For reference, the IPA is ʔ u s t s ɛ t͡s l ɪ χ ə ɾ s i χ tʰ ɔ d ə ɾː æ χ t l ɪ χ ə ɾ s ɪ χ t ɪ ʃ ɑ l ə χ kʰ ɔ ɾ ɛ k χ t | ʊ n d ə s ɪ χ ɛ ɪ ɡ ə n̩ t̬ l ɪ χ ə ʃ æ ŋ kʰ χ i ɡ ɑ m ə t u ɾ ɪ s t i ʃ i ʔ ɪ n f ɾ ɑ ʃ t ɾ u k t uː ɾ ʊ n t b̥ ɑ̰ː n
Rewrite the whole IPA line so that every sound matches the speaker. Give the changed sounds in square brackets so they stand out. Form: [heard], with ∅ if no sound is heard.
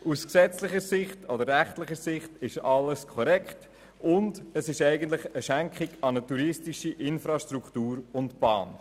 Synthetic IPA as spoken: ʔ u s [k] s ɛ t͡s l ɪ χ ə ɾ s [ɪ] χ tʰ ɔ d ə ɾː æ χ t l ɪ χ ə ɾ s ɪ χ t ɪ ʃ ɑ l ə [s] kʰ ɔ ɾ ɛ k χ t | ʊ n d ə s ɪ [ʃ] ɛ ɪ ɡ ə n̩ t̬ l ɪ χ ə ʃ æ ŋ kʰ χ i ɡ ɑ [n] ə t u ɾ ɪ s t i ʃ i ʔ ɪ n f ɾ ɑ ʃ t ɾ u k t uː ɾ ʊ n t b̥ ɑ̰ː n